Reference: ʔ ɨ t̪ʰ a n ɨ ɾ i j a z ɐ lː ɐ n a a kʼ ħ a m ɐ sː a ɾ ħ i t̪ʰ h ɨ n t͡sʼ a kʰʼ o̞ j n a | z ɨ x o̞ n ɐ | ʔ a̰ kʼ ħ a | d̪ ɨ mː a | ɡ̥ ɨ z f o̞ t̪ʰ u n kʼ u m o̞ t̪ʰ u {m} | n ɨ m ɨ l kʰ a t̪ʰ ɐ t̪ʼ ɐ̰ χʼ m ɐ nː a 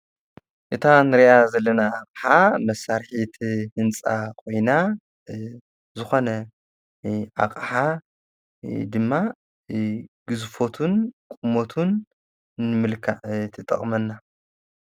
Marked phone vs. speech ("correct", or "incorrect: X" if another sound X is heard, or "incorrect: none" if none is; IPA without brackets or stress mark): incorrect: n